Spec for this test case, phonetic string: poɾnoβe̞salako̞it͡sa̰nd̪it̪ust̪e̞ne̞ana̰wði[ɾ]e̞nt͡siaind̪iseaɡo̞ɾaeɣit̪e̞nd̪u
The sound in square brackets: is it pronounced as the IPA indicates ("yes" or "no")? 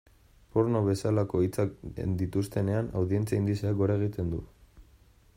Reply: no